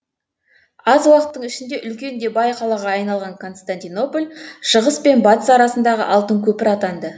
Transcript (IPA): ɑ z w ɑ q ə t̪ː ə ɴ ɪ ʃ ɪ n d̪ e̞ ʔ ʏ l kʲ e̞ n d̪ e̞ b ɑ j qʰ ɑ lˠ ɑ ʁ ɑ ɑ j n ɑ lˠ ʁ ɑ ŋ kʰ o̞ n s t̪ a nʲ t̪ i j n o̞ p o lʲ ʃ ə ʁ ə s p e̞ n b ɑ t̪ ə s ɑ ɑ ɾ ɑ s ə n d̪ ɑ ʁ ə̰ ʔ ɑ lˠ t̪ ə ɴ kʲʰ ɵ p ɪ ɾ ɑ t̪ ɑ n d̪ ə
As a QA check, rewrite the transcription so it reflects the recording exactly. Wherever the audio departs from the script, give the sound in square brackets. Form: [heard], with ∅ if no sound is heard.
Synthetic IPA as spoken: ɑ z w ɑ q ə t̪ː ə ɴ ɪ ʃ ɪ n d̪ e̞ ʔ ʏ l kʲ e̞ n d̪ e̞ b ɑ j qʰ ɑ lˠ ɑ ʁ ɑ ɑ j n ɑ lˠ ʁ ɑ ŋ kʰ o̞ n s t̪ a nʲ t̪ i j n o̞ p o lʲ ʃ ə ʁ ə s p e̞ n b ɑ t̪ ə s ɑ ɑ ɾ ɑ s ə n d̪ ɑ ʁ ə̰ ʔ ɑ lˠ t̪ ə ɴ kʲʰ ɵ p ɪ ɾ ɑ t̪ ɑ n d̪ ə